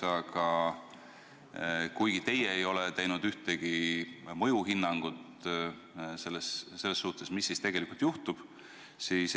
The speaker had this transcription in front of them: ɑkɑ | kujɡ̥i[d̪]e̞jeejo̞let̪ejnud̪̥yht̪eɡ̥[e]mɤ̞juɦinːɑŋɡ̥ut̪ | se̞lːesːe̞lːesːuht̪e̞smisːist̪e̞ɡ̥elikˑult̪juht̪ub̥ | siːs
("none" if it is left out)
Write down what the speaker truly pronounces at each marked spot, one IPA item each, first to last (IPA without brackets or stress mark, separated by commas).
t̪, i